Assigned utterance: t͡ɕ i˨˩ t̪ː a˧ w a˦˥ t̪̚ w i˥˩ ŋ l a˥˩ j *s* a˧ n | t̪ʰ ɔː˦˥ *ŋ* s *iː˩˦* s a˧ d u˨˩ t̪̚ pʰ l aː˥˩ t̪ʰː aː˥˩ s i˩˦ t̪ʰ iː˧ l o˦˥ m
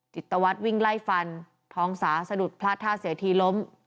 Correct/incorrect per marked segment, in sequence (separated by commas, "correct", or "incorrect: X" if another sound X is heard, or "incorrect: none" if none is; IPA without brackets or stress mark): incorrect: f, correct, incorrect: aː˩˦